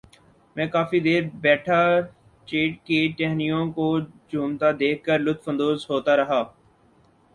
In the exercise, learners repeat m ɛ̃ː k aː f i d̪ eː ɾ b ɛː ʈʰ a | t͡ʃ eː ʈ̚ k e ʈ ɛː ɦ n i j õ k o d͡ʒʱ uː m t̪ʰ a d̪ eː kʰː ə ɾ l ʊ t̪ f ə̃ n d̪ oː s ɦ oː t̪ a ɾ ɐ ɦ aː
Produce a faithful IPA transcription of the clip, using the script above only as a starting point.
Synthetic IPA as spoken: m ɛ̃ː k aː f i d̪ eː ɾ b ɛː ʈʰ a | t͡ʃ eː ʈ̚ k e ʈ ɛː ɦ n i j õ k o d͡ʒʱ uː m t̪ a d̪ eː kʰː ə ɾ l ʊ t̪ f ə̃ n d̪ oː z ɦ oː t̪ a ɾ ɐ ɦ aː